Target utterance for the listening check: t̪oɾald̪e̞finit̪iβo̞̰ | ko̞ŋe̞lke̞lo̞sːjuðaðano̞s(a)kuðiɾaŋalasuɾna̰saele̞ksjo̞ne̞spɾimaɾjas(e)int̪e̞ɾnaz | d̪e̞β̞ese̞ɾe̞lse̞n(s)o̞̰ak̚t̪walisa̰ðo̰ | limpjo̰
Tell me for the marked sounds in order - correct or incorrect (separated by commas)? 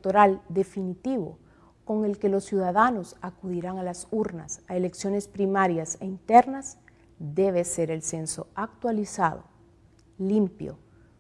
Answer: correct, correct, correct